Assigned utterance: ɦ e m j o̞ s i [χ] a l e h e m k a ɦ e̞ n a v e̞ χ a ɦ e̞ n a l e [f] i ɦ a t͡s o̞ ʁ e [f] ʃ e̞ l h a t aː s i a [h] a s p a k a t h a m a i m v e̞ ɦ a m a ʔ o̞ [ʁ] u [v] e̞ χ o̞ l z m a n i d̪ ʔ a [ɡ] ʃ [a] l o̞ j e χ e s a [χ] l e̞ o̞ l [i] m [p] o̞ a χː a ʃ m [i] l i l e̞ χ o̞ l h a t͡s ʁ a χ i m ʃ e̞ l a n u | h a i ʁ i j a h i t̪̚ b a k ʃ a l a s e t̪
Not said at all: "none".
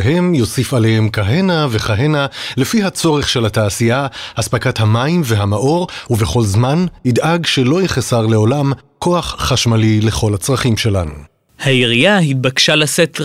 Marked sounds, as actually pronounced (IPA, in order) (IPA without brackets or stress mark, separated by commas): f, f, χ, h, ʁ, v, ɡ, e, ʁ, a, k, a